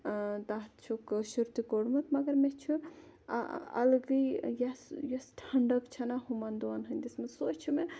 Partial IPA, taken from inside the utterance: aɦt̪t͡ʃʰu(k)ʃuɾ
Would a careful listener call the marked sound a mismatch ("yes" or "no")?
no